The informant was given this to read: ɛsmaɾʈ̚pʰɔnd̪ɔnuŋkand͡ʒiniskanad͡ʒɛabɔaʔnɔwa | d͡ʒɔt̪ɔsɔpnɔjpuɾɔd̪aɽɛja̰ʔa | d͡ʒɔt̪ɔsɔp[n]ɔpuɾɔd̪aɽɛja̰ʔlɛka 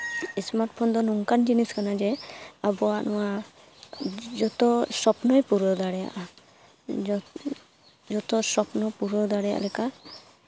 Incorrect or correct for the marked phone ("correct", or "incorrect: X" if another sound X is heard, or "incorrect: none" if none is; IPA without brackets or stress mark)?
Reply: correct